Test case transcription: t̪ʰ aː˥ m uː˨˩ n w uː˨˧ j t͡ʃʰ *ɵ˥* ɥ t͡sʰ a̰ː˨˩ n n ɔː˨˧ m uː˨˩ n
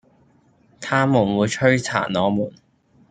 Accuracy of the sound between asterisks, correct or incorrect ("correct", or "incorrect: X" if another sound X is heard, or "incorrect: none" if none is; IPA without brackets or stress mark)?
correct